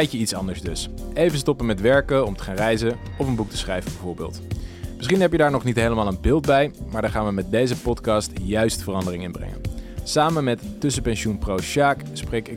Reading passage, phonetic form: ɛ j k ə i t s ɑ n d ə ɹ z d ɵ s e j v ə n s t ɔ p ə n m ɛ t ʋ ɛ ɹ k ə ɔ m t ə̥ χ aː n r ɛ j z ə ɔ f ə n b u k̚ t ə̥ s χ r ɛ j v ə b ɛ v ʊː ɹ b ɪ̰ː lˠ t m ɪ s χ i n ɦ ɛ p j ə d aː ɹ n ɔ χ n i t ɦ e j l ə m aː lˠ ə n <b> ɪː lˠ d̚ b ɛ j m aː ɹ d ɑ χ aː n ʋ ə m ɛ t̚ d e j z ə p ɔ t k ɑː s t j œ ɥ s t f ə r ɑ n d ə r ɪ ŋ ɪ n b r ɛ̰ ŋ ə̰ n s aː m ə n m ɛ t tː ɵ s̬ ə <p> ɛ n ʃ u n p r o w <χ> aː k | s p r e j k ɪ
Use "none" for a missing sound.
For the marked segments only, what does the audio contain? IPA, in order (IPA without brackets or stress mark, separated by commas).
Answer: b, p, ʃ